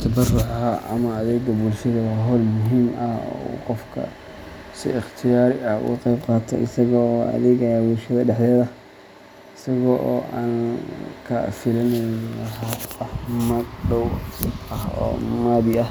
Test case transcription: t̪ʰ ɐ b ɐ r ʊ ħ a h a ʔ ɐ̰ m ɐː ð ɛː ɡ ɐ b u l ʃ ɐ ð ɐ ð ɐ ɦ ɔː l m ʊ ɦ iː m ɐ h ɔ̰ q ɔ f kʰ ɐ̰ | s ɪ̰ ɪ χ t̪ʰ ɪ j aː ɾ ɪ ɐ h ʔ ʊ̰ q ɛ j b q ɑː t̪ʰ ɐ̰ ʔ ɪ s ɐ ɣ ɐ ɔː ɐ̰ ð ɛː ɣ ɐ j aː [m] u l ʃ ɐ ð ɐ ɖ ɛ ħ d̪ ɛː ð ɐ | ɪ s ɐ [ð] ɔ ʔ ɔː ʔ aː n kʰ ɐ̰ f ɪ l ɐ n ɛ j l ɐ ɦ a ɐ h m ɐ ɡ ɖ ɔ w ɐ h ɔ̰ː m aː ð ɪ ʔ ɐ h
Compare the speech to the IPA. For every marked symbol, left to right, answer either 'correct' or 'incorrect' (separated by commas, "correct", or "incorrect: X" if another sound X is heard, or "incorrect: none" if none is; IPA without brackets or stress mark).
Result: incorrect: b, incorrect: ɣ